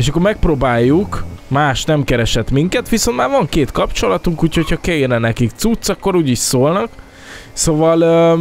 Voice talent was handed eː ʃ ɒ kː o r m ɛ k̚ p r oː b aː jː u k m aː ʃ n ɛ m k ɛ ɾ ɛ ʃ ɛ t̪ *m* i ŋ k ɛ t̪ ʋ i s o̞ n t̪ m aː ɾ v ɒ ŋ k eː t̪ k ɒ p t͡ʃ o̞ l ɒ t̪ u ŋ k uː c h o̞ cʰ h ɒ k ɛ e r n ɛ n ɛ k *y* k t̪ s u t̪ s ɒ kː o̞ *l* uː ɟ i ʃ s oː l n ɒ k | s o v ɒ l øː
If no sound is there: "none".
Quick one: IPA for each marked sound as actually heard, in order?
m, i, ɾ

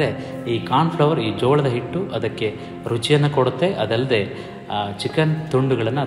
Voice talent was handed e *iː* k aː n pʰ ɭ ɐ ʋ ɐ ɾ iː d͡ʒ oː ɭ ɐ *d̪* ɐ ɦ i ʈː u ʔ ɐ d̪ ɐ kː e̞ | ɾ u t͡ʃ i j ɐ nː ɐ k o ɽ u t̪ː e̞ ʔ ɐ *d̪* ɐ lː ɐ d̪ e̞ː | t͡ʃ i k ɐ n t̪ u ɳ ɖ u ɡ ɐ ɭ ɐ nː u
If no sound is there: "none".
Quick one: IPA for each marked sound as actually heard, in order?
iː, d̪, d̪

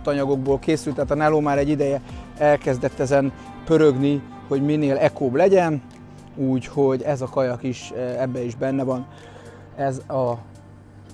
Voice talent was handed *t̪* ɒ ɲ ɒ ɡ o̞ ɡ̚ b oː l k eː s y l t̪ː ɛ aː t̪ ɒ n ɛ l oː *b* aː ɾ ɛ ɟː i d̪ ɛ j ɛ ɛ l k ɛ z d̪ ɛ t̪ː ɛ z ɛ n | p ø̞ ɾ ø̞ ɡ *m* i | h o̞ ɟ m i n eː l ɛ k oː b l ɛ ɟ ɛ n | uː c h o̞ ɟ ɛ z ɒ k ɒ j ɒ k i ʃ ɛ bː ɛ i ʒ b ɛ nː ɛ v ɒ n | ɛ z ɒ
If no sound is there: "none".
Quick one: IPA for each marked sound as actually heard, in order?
t̪, m, n

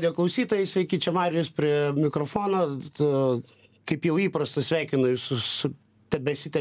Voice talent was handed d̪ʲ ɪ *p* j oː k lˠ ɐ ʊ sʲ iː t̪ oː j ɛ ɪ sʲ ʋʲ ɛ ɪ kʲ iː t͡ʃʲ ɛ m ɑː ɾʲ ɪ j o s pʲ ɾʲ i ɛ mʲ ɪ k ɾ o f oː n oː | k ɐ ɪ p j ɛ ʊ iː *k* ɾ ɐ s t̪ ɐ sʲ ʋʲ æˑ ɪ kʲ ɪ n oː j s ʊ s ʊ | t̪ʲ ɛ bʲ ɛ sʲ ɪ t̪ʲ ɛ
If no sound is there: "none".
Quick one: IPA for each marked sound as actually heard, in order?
none, p

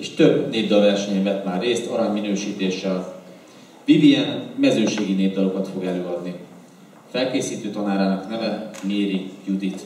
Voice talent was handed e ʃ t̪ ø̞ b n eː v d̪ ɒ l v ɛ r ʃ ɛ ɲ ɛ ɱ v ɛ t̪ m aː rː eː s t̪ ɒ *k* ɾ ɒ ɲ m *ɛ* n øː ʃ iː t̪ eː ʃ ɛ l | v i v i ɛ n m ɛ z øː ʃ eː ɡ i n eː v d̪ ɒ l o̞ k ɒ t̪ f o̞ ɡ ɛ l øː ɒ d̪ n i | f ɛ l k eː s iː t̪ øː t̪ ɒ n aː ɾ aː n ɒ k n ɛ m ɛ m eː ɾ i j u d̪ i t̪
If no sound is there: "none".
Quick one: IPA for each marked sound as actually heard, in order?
none, i

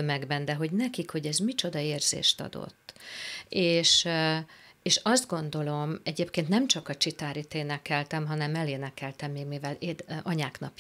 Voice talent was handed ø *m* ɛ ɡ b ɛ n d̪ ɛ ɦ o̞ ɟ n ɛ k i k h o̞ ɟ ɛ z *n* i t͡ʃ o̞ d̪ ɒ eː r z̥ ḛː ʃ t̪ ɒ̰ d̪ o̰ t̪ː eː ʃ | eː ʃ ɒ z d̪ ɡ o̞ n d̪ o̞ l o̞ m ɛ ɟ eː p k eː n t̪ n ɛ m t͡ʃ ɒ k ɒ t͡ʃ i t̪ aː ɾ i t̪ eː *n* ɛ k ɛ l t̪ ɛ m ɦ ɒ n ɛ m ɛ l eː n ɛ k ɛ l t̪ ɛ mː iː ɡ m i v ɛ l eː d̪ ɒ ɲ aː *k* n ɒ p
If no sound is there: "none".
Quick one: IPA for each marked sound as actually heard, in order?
m, m, n, k

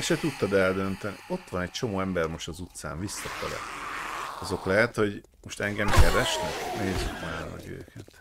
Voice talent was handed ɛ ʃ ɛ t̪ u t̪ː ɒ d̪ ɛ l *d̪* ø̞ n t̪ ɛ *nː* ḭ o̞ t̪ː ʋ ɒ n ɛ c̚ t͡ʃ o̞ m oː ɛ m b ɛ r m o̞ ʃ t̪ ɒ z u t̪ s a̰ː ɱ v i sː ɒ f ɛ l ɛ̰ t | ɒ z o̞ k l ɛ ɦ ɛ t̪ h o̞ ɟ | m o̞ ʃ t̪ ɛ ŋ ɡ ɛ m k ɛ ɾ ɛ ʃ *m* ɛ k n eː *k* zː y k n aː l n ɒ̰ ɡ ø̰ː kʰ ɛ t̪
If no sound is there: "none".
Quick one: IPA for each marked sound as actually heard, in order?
d̪, n, n, none

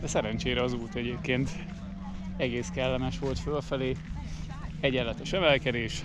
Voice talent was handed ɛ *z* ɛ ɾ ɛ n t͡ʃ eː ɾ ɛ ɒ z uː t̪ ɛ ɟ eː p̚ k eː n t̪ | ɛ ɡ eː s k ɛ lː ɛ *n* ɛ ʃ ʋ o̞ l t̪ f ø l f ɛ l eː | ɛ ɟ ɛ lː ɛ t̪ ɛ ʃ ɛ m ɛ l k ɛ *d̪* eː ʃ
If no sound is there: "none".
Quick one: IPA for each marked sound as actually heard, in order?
s, m, d̪

